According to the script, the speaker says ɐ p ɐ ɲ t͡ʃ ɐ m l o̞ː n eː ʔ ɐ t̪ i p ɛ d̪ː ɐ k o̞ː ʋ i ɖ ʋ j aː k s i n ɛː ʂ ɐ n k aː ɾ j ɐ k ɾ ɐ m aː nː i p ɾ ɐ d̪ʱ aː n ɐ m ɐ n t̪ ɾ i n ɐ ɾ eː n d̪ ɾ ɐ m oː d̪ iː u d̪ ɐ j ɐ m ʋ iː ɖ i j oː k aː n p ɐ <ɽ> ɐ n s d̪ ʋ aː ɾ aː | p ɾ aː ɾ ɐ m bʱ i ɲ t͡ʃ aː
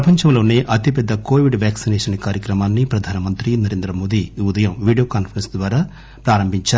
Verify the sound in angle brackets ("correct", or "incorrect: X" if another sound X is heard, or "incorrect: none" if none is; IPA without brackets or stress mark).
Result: incorrect: ɾ